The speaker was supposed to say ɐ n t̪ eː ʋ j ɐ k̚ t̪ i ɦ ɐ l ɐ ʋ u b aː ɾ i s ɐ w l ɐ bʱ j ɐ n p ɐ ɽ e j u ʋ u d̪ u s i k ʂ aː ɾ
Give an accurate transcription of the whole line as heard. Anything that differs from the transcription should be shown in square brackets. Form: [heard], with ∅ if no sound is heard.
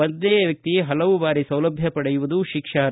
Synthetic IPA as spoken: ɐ n [d̪] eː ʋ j ɐ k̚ t̪ i ɦ ɐ l ɐ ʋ u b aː ɾ i s ɐ w l ɐ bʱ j ɐ [∅] p ɐ ɽ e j u ʋ u d̪ u [ʃ] i k ʂ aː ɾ